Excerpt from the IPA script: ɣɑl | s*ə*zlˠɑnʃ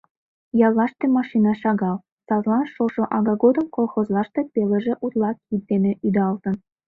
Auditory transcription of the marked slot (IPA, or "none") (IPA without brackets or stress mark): ɑ